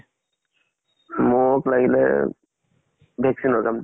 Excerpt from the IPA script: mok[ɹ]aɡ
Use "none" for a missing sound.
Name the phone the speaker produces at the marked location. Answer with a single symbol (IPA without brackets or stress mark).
l